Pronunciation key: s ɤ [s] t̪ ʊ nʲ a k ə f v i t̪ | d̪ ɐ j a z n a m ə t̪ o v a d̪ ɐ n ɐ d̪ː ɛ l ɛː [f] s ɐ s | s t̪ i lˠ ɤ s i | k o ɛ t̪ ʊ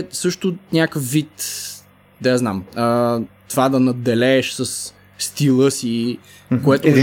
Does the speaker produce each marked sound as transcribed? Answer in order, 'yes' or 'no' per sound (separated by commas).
no, no